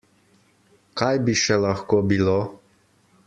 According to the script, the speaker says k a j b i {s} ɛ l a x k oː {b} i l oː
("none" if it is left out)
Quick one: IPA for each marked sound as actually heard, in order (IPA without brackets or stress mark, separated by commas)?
ʃ, b